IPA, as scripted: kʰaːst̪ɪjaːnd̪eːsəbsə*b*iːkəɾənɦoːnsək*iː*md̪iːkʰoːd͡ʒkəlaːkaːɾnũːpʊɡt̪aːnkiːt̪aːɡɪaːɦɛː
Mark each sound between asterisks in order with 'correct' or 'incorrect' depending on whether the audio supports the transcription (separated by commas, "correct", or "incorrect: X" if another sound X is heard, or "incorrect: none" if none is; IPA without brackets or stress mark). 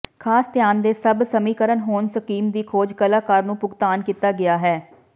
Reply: incorrect: m, correct